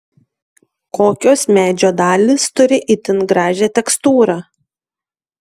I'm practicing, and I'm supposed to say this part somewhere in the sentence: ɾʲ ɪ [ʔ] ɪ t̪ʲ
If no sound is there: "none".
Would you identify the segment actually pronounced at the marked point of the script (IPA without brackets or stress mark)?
ʔ